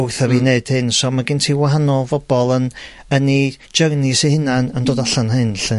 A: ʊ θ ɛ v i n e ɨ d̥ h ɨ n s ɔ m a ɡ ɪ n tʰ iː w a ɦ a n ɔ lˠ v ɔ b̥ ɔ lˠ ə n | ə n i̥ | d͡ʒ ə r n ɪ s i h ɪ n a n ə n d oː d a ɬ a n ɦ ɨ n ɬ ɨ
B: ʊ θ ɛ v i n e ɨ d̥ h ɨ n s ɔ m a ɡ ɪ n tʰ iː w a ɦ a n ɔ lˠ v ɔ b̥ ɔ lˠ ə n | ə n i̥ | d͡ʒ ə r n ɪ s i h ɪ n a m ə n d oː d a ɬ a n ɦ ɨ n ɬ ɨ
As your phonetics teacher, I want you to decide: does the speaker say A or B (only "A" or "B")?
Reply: A